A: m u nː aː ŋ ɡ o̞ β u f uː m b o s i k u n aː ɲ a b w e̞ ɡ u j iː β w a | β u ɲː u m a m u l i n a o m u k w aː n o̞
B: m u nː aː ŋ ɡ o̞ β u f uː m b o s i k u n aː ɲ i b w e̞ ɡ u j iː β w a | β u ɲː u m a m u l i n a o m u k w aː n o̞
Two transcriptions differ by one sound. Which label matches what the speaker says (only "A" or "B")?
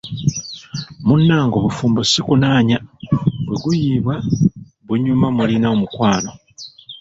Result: A